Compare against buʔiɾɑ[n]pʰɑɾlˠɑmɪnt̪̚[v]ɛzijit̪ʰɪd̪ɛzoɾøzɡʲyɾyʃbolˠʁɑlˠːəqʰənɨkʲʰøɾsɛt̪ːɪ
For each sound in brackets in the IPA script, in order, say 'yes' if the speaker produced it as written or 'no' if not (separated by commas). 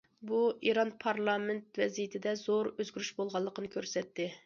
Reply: yes, yes